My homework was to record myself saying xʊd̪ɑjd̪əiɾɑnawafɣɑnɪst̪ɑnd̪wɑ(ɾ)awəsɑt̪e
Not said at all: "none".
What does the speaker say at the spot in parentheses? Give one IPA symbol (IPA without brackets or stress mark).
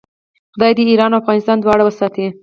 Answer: ɽ